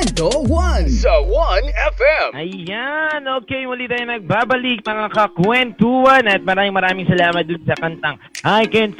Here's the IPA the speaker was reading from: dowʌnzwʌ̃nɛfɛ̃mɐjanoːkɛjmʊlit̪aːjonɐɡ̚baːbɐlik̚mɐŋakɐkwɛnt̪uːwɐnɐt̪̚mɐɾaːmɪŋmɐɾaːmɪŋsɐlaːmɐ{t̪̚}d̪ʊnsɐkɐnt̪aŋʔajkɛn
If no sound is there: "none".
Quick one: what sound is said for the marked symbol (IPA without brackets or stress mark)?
t̪̚